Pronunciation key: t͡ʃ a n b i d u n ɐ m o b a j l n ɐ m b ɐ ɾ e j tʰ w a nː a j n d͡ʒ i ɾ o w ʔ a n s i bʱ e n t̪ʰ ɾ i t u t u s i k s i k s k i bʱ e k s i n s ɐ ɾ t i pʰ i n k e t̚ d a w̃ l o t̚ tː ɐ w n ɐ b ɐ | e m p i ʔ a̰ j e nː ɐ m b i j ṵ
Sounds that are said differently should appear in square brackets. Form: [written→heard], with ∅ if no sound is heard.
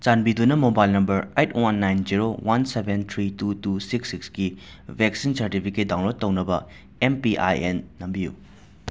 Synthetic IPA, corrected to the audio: t͡ʃ a n b i d u n ɐ m o b a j l n ɐ m b ɐ ɾ e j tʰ w a nː a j n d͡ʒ i ɾ o w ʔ a n s [i→e] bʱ e n t̪ʰ ɾ i t u t u s i k s i k s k i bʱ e k s i n s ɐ ɾ t i pʰ i [n→∅] k e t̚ d a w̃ l o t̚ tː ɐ w n ɐ b ɐ | e m p i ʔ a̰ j e nː ɐ m b i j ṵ